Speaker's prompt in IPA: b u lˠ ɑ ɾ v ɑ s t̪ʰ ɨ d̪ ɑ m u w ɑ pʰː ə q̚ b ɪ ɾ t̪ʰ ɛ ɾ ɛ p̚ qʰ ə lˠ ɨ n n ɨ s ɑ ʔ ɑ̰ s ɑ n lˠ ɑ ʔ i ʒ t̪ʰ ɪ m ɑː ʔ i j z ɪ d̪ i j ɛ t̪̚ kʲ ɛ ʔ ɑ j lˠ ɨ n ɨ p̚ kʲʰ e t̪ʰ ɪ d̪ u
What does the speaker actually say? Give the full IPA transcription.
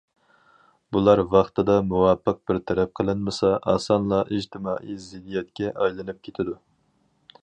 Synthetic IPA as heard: b u lˠ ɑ ɾ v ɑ χ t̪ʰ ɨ d̪ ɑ m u w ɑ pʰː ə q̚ b ɪ ɾ t̪ʰ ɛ ɾ ɛ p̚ qʰ ə lˠ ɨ n m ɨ s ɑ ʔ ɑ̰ s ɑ n lˠ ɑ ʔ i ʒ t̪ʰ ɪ m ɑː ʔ i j z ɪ d̪ i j ɛ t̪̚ kʲ ɛ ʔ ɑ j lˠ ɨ n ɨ p̚ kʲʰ e t̪ʰ ɪ d̪ u

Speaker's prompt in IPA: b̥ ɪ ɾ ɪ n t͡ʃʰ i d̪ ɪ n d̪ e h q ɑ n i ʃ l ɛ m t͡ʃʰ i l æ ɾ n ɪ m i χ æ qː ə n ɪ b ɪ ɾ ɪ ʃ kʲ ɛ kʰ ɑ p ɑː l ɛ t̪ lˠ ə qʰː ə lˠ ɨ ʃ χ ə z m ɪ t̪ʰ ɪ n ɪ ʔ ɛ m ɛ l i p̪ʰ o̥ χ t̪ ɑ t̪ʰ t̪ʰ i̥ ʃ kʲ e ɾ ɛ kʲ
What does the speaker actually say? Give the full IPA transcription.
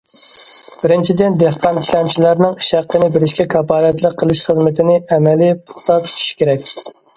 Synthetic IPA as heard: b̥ ɪ ɾ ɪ n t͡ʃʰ i d̪ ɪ n d̪ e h q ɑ n i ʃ l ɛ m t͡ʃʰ i l æ ɾ n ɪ ŋ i ʃ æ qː ə n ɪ b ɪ ɾ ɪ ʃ kʲ ɛ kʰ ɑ p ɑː l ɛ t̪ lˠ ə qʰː ə lˠ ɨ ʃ χ ə z m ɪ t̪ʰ ɪ n ɪ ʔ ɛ m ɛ l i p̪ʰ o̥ χ t̪ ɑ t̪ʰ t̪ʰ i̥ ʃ kʲ e ɾ ɛ kʲ

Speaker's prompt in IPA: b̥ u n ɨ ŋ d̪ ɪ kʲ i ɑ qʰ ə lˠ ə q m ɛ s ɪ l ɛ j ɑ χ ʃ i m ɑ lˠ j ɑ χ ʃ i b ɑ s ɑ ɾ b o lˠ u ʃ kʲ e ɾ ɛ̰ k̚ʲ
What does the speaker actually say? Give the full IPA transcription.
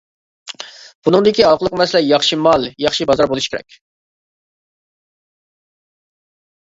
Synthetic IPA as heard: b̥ u n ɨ ŋ d̪ ɪ kʲ i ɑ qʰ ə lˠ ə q m ɛ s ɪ l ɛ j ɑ χ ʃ i m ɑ lˠ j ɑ χ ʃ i b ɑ z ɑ ɾ b o lˠ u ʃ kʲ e ɾ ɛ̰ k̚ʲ

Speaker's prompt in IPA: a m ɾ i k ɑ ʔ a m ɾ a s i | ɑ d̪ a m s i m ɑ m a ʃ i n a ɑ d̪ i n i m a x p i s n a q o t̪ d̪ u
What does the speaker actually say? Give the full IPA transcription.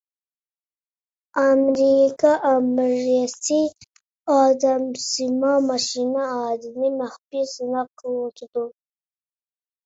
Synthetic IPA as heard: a m ɾ i k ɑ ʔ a m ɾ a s i | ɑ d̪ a m s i m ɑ m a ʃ i n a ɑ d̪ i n i m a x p i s n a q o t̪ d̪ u

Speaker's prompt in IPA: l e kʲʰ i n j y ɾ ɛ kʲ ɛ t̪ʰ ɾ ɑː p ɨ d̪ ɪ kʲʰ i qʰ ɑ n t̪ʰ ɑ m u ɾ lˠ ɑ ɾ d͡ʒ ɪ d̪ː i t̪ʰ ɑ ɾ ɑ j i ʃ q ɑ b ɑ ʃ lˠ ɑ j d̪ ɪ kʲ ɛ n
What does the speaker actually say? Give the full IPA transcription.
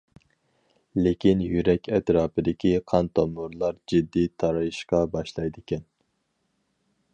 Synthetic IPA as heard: l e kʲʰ i n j y ɾ ɛ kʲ ɛ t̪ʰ ɾ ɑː p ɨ d̪ ɪ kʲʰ i qʰ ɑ n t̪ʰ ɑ m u ɾ lˠ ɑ ɾ d͡ʒ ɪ d̪ː i t̪ʰ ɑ ɾ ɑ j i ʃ q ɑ b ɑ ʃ lˠ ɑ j d̪ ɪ kʲ ɛ n

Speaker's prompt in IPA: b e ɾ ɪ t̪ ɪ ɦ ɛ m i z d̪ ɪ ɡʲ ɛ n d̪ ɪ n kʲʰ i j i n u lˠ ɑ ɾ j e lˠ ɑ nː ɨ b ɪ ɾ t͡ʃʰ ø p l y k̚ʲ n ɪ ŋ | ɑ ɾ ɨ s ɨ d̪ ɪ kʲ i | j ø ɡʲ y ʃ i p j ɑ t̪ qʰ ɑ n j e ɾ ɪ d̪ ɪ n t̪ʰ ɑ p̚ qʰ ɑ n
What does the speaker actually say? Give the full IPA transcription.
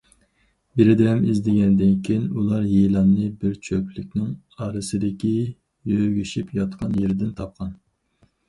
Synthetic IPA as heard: b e ɾ ɪ d̪ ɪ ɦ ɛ m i z d̪ ɪ ɡʲ ɛ n d̪ ɪ n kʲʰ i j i n u lˠ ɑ ɾ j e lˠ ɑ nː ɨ b ɪ ɾ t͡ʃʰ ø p l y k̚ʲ n ɪ ŋ | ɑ ɾ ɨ s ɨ d̪ ɪ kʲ i | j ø ɡʲ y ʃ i p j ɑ t̪ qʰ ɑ n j e ɾ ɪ d̪ ɪ n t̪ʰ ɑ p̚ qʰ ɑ n

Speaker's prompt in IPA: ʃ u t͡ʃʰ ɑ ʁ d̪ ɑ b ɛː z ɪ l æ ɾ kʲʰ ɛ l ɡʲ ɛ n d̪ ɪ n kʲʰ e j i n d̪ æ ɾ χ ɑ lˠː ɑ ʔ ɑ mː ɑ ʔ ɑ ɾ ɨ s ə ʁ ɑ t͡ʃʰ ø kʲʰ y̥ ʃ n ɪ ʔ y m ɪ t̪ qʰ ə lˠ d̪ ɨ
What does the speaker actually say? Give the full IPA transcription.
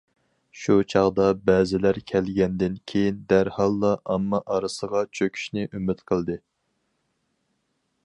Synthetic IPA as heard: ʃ u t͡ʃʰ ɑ ʁ d̪ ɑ b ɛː z ɪ l æ ɾ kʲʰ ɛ l ɡʲ ɛ n d̪ ɪ n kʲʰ e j i n d̪ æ ɾ h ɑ lˠː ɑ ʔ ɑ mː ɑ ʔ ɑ ɾ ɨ s ə ʁ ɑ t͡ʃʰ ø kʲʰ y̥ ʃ n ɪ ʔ y m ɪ t̪ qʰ ə lˠ d̪ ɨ

